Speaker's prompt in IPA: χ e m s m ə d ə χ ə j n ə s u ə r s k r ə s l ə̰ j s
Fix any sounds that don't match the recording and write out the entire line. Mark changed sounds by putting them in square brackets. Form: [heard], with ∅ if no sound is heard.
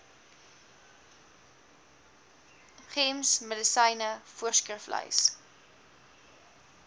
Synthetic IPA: χ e m s m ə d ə [s] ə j n ə [f] u ə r s k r ə [f] l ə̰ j s

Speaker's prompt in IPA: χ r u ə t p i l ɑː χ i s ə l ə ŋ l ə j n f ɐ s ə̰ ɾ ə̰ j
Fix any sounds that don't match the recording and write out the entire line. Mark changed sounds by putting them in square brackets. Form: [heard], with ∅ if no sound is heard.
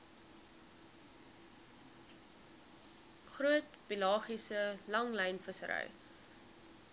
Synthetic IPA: χ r u ə t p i l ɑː χ i s ə l [ɐ] ŋ l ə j n f [ə] s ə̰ ɾ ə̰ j

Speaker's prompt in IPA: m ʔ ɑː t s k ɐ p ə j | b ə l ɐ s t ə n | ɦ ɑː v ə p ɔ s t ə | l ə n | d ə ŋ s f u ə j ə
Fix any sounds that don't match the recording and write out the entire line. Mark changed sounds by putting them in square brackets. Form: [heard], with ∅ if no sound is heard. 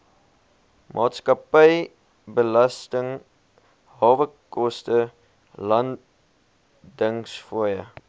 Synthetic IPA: m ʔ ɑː t s k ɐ p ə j | b ə l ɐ s t ə [ŋ] | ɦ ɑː v ə [k] ɔ s t ə | l [ɐ] n | d ə ŋ s f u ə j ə

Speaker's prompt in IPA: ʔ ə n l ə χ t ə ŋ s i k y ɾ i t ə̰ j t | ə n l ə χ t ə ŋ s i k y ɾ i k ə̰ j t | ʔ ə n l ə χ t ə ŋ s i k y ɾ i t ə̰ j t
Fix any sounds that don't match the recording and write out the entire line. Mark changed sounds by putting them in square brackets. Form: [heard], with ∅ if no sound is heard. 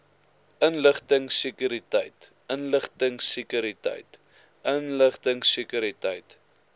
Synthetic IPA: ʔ ə n l ə χ t ə ŋ s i k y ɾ i t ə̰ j t | ə n l ə χ t ə ŋ s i k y ɾ i [t] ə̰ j t | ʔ ə n l ə χ t ə ŋ s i k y ɾ i t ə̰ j t

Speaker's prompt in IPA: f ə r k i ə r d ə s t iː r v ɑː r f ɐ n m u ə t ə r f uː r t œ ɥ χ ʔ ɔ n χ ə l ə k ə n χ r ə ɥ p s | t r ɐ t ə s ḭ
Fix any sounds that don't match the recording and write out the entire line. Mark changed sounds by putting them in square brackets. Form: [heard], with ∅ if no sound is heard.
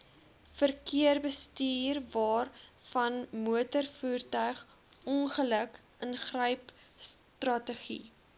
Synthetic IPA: f ə r k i ə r [b] ə s t iː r v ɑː r f ɐ n m u ə t ə r f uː r t œ ɥ χ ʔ ɔ n χ ə l ə k ə n χ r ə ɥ p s | t r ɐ t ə [χ] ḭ

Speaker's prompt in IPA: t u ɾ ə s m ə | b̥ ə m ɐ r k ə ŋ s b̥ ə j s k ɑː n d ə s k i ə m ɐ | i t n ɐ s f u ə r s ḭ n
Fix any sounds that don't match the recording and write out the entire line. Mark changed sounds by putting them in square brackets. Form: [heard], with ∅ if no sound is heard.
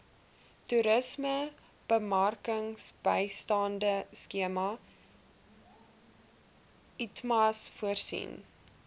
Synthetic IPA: t u ɾ ə s m ə | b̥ ə m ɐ r k ə ŋ s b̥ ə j s [t] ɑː n d ə s k i ə m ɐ | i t [m] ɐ s f u ə r s ḭ n

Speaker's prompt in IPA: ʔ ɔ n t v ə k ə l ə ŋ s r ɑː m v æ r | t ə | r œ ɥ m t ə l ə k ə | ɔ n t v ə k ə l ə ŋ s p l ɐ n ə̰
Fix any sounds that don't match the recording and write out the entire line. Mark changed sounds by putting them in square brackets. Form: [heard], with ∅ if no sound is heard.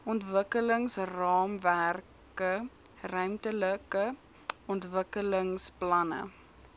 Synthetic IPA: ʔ ɔ n t v ə k ə l ə ŋ s r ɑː m v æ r | [k] ə | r œ ɥ m t ə l ə k ə | ɔ n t v ə k ə l ə ŋ s p l ɐ n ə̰

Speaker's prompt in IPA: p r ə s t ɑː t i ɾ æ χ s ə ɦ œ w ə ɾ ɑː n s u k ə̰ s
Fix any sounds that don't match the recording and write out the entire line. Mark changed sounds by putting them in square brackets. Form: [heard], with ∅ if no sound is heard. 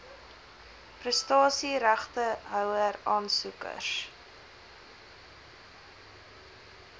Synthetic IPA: p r ə s t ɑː [s] i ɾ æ χ [t] ə ɦ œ w ə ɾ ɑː n s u k ə̰ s

